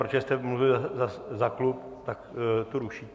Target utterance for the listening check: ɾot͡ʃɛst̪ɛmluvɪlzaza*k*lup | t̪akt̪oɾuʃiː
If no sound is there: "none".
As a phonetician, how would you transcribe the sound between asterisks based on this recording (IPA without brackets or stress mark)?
k